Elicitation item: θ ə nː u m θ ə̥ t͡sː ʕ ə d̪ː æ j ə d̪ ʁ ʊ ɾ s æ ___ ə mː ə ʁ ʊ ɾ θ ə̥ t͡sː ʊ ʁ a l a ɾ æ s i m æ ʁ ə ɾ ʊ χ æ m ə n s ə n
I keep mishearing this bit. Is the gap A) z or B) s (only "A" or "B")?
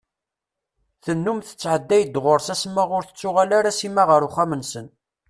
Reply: B